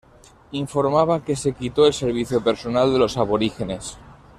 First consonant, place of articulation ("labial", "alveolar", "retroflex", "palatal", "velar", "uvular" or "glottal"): labial